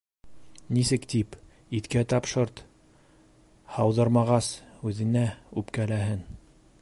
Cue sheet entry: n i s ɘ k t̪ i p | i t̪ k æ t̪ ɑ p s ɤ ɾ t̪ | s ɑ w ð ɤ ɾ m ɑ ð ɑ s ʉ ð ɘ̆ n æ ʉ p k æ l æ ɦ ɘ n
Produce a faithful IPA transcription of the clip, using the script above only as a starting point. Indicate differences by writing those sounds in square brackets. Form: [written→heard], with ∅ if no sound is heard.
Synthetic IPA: n i s ɘ k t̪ i p | i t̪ k æ t̪ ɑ p [s→ʃ] ɤ ɾ t̪ | [s→h] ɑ w ð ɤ ɾ m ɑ [ð→ʁ] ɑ s ʉ ð ɘ̆ n æ ʉ p k æ l æ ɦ ɘ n